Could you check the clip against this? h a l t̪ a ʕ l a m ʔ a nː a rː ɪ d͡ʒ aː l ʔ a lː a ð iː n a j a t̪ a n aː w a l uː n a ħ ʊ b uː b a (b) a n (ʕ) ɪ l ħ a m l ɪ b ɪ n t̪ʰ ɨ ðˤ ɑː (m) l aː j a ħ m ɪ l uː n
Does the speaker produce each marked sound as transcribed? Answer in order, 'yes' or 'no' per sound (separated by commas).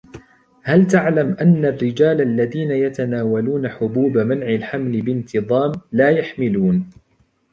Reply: no, yes, yes